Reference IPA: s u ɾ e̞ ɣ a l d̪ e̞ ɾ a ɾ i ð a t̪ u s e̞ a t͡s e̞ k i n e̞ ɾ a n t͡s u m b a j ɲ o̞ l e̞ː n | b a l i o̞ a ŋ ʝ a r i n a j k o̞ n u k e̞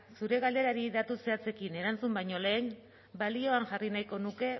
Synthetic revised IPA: s u ɾ e̞ ɣ a l d̪ e̞ ɾ a ɾ i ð a t̪ u s e̞ a t͡s e̞ k i n e̞ ɾ a n t͡s u m b a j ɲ o̞ l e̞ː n | b a l i o̞ a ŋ ʝ a r i n a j k o̞ n u k e̞

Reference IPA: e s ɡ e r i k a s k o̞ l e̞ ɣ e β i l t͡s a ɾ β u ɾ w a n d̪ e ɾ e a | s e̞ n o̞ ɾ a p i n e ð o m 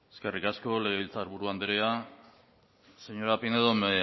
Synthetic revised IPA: e s k e r i k a s k o̞ l e̞ ɣ e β i l t͡s a ɾ β u ɾ u a n d̪ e ɾ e a | s e̞ ɲ o̞ ɾ a p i n e ð o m

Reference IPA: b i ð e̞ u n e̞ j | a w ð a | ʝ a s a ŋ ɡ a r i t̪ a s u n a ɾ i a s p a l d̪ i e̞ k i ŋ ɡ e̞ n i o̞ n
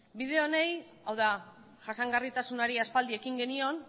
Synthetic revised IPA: b i ð e̞ o n e̞ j | a w ð a | ʝ a s a ŋ ɡ a r i t̪ a s u n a ɾ i a s p a l d̪ i e̞ k i ŋ ɡ e̞ n i o̞ n

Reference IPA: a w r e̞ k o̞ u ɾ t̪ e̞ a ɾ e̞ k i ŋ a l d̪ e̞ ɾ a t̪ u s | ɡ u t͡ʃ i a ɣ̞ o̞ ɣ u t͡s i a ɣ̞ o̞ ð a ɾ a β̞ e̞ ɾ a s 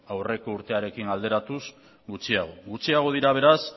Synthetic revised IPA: a w r e̞ k o̞ u ɾ t̪ e̞ a ɾ e̞ k i ŋ a l d̪ e̞ ɾ a t̪ u s | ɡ u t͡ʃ i a ɣ̞ o̞ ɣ u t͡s i a ɣ̞ o̞ ð i ɾ a β̞ e̞ ɾ a s

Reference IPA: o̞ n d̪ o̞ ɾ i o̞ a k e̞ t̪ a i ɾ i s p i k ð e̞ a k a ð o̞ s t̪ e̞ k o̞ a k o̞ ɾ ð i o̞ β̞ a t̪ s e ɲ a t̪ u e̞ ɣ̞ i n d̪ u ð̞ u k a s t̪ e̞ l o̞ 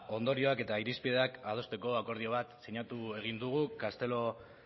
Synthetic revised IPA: o̞ n d̪ o̞ ɾ i o̞ a k e̞ t̪ a i ɾ i s p i ð e̞ a k a ð o̞ s t̪ e̞ k o̞ a k o̞ ɾ ð i o̞ β̞ a t̪ s e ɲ a t̪ u e̞ ɣ̞ i n d̪ u ɣ̞ u k a s t̪ e̞ l o̞

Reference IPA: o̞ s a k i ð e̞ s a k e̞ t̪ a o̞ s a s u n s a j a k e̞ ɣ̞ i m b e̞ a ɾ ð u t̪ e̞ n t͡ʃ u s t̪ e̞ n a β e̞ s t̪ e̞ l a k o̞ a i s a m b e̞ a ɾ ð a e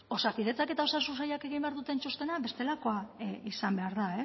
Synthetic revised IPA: o̞ s a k i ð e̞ t͡s a k e̞ t̪ a o̞ s a s u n s a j a k e̞ ɣ̞ i m b e̞ a ɾ ð u t̪ e̞ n t͡ʃ u s t̪ e̞ n a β e̞ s t̪ e̞ l a k o̞ a i s a m b e̞ a ɾ ð a e

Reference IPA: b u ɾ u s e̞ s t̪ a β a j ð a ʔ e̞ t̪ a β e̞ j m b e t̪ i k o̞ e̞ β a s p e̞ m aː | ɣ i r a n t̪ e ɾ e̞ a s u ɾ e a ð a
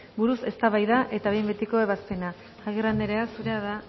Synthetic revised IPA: b u ɾ u s e̞ s t̪ a β a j ð a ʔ e̞ t̪ a β e̞ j m b e t̪ i k o̞ e̞ β a s p e̞ n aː | ɣ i r a n d̪ e ɾ e̞ a s u ɾ e a ð a

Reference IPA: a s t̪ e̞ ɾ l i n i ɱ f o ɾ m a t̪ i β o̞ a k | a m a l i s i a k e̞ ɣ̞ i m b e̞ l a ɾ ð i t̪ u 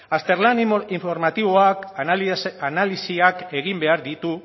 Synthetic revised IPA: a s t̪ e̞ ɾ l a n i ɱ f o ɾ m a t̪ i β o̞ a k | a n a l i s i a k e̞ ɣ̞ i m b e̞ a ɾ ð i t̪ u

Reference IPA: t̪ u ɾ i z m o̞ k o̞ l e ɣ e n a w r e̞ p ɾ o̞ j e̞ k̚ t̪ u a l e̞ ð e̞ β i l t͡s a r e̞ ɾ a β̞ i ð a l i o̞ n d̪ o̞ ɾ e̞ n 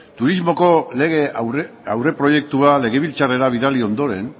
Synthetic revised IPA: t̪ u ɾ i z m o̞ k o̞ l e ɣ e a w r e̞ p ɾ o̞ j e̞ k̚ t̪ u a l e̞ ɣ e̞ β i l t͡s a r e̞ ɾ a β̞ i ð a l i o̞ n d̪ o̞ ɾ e̞ n

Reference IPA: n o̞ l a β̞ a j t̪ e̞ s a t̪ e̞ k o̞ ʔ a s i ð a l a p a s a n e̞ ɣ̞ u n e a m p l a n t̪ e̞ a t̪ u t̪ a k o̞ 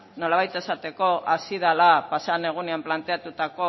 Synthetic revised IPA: n o̞ l a β̞ a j t̪ e̞ s a t̪ e̞ k o̞ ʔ a s i ð a l a p a s a n e̞ ɣ̞ u n e a m p l a n t̪ e̞ a t̪ u t̪ a k o̞

